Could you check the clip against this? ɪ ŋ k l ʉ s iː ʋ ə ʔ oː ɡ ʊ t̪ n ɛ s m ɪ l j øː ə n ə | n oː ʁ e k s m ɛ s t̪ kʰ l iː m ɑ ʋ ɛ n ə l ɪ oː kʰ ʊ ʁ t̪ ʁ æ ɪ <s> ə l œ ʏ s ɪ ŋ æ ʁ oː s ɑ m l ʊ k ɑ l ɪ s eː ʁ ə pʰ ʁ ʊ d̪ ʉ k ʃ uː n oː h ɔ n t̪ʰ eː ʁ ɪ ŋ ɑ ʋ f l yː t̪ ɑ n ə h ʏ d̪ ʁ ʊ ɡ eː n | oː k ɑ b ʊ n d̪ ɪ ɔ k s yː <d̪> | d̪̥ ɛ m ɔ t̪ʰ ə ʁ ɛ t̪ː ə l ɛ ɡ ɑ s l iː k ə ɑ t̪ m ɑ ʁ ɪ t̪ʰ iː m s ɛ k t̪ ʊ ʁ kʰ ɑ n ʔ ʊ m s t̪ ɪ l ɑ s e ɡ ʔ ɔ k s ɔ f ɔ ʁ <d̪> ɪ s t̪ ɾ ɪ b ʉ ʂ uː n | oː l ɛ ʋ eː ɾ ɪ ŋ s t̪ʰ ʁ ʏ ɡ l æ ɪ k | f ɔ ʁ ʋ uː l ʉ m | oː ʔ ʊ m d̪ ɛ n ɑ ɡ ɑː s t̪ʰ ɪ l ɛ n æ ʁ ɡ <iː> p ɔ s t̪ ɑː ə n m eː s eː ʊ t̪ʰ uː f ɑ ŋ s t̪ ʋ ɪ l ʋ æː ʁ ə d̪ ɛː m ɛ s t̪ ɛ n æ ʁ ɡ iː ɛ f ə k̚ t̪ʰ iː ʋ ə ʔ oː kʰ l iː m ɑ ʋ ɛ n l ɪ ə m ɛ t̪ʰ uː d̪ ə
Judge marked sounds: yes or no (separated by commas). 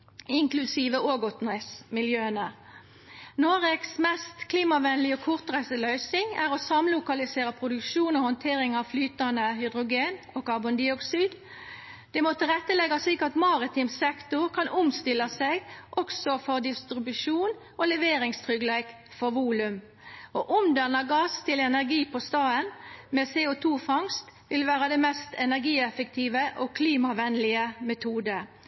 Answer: yes, yes, yes, yes